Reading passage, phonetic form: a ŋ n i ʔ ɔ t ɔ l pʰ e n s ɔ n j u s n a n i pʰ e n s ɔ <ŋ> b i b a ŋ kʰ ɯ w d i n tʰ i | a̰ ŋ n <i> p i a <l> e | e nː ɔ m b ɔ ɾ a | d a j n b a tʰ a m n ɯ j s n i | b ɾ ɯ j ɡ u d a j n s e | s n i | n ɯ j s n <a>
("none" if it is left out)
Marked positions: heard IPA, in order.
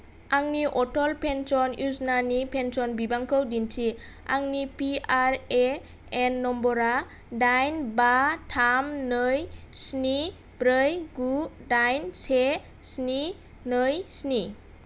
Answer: n, i, ɾ, i

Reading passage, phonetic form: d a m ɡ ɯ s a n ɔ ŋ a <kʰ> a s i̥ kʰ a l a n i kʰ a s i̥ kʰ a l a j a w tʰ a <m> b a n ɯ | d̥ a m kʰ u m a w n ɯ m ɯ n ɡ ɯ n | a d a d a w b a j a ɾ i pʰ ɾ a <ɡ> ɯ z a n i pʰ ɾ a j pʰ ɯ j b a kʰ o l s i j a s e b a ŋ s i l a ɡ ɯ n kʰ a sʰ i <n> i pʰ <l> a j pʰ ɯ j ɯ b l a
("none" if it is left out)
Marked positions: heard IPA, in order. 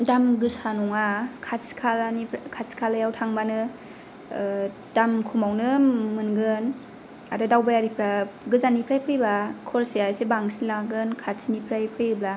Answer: kʰ, ŋ, ɡ, n, ɾ

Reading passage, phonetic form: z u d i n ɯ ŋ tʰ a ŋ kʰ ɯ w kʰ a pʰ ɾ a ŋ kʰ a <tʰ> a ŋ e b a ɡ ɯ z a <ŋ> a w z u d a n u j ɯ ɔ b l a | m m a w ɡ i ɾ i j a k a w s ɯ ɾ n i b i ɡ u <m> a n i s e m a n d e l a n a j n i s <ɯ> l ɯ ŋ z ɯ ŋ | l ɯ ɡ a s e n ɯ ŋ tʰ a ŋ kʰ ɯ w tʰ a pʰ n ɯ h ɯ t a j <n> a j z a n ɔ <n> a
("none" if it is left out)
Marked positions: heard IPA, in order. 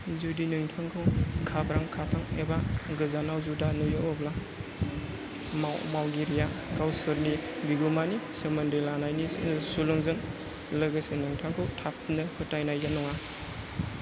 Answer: tʰ, n, m, u, n, ŋ

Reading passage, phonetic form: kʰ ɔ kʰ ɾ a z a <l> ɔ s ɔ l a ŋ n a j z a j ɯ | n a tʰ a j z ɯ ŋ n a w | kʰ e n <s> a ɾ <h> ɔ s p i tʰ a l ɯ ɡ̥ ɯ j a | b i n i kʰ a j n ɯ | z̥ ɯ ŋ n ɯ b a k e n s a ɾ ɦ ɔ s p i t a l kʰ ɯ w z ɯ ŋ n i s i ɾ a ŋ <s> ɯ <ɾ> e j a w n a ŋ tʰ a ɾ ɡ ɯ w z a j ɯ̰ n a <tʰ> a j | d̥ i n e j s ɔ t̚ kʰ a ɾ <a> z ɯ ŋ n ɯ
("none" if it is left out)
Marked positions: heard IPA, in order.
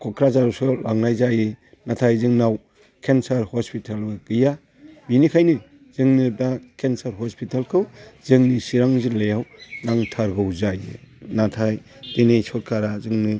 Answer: ɾ, s, h, z, l, tʰ, a

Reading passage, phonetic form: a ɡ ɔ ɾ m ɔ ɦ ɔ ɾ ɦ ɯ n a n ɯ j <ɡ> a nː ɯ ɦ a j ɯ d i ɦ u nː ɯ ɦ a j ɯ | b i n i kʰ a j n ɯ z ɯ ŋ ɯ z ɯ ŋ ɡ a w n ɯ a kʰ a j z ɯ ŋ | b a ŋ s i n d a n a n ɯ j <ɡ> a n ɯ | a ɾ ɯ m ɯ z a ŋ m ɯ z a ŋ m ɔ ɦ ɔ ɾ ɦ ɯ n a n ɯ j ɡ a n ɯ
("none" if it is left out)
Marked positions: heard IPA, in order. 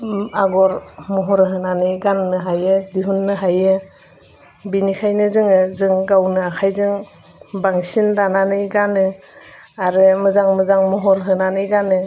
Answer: ɡ, ɡ

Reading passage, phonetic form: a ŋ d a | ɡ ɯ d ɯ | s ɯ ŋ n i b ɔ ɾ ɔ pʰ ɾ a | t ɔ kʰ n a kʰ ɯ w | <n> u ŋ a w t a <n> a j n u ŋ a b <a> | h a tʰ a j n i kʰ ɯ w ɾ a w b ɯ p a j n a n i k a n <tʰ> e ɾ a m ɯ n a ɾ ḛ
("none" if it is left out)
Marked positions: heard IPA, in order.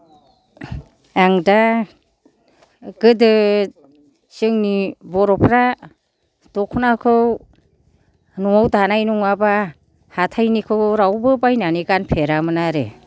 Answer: n, n, a, pʰ

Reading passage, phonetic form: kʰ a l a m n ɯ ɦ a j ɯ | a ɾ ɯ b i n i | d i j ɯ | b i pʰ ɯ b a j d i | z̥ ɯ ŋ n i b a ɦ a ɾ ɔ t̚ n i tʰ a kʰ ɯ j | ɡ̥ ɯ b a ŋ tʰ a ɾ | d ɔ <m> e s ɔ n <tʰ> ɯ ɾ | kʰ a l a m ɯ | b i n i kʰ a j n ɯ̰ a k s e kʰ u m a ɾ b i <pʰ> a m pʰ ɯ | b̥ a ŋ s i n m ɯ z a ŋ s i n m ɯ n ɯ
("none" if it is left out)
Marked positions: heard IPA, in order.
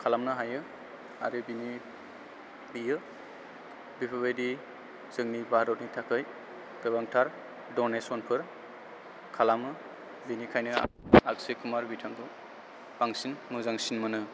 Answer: n, pʰ, tʰ

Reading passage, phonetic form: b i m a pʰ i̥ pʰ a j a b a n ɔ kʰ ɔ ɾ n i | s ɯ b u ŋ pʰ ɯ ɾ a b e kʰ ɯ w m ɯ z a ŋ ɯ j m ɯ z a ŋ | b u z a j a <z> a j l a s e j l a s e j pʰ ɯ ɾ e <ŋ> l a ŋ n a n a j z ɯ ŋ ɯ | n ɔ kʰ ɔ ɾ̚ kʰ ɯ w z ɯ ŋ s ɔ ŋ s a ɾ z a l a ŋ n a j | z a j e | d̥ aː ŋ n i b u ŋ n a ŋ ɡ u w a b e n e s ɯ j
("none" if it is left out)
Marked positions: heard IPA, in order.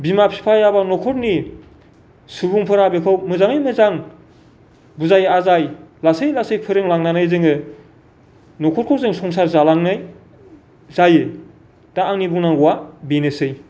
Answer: z, ŋ

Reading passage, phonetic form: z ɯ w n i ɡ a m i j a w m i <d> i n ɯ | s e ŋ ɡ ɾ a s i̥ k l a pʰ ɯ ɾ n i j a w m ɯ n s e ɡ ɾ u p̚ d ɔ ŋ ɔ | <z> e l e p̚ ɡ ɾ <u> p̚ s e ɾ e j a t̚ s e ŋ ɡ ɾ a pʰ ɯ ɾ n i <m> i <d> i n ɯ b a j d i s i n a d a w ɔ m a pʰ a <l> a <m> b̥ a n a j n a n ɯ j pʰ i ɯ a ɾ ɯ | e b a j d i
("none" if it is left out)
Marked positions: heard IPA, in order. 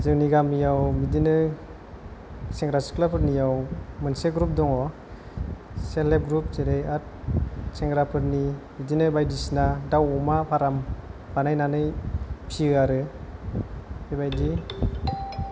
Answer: d, s, u, m, d, ɾ, m

